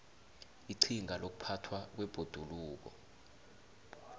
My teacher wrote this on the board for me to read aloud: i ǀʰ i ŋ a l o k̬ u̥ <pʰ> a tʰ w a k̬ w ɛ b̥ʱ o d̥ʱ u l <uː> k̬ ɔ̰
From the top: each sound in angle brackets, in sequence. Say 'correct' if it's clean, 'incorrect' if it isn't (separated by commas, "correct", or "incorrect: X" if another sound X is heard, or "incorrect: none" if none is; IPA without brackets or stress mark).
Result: correct, correct